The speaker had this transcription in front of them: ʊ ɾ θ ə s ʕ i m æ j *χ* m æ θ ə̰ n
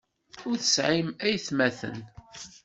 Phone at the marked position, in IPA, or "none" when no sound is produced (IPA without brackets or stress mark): θ